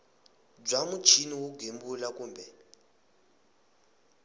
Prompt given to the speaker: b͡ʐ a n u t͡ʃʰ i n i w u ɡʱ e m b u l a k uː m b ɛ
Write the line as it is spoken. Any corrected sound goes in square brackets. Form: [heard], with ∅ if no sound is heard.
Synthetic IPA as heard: b͡ʐ a [m] u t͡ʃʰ i n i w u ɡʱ e m b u l a k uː m b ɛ